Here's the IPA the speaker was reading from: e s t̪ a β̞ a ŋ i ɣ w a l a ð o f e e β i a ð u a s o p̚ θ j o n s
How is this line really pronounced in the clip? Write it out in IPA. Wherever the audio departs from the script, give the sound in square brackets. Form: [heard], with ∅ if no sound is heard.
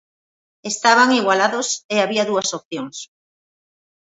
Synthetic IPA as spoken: e s t̪ a β̞ a ŋ i ɣ w a l a ð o [s] e [a] β i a ð u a s o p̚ θ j o [ŋ] s